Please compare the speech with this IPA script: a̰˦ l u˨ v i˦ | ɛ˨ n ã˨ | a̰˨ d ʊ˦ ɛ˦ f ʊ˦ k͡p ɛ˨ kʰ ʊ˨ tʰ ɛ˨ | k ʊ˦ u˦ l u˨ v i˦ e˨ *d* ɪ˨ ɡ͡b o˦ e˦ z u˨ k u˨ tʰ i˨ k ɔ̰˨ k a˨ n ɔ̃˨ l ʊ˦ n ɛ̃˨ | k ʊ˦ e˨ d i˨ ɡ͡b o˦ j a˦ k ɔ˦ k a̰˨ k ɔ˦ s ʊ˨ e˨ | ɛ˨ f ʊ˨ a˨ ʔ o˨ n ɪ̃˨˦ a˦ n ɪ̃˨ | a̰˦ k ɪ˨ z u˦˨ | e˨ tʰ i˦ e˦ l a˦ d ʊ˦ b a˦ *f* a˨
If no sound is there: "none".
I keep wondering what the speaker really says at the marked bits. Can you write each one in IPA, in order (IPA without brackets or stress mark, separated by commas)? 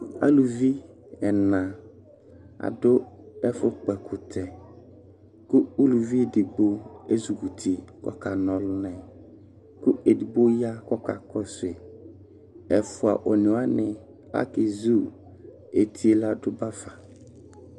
d, f